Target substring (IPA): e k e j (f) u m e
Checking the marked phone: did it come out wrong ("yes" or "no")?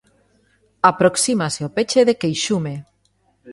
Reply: yes